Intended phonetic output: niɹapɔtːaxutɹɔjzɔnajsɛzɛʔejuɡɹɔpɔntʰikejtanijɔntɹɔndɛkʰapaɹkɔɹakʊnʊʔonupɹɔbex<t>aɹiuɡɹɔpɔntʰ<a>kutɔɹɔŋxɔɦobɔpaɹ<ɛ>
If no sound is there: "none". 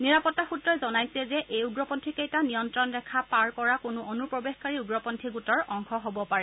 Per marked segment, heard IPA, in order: k, i, ɛ

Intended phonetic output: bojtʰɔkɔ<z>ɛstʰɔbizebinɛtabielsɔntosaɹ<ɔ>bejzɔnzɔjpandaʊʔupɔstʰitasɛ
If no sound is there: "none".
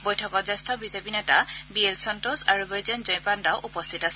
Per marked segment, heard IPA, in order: z, u

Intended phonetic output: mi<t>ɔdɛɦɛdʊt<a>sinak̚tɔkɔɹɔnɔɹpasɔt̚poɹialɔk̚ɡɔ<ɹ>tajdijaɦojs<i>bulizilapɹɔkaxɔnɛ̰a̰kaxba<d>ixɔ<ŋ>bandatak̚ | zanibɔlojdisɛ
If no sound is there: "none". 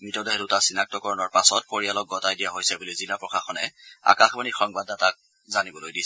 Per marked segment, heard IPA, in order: t, a, none, ɛ, n, ŋ

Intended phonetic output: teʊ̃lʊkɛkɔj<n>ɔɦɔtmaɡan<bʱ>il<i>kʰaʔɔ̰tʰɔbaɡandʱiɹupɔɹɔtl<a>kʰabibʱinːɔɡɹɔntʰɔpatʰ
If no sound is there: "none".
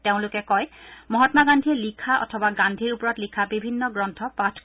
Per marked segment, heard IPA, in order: m, dʱ, i, i

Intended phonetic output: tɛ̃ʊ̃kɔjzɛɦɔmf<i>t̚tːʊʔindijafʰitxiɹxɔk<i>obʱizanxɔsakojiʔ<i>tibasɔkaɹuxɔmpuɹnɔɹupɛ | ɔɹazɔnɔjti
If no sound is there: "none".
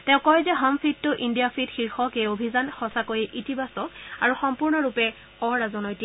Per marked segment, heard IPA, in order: i, e, i

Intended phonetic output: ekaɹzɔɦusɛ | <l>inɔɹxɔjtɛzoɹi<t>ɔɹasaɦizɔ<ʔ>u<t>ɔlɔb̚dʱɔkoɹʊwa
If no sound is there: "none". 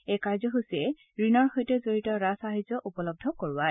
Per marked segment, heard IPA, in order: ɹ, t, ʔ, p

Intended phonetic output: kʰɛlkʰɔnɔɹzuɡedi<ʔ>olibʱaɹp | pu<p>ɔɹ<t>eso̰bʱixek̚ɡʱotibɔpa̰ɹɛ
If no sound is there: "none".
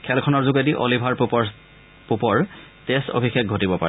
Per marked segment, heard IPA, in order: ʔ, p, t

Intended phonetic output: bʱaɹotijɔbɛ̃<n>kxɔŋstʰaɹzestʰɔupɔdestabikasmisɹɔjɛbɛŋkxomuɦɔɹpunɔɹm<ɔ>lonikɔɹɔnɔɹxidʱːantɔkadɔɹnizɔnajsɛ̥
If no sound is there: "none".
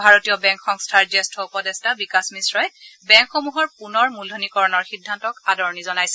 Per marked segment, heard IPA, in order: ŋ, u

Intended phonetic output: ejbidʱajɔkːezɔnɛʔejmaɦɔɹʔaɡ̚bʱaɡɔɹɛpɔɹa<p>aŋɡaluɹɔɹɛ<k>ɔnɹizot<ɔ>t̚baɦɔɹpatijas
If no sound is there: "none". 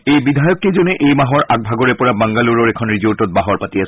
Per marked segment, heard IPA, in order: b, kʰ, ɔ

